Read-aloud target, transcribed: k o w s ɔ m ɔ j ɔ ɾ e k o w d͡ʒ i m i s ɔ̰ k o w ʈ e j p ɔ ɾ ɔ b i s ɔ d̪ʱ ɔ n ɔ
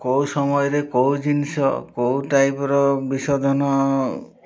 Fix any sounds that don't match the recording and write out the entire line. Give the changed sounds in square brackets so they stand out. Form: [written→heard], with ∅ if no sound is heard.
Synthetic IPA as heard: k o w s ɔ m ɔ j ɔ ɾ e k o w d͡ʒ i [m→n] i s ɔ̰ k o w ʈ [e→a] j p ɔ ɾ ɔ b i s ɔ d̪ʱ ɔ n ɔ